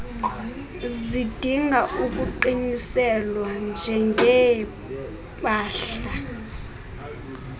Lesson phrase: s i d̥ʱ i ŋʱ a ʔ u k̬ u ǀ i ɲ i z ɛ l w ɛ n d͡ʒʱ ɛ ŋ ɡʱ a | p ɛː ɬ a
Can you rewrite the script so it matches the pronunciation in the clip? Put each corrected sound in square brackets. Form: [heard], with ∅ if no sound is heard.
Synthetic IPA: [z] i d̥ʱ i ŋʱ a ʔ u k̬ u [ǃ] i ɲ i [s] ɛ l w [a] n d͡ʒʱ ɛ ŋ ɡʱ [ɛ] | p [aː] ɬ a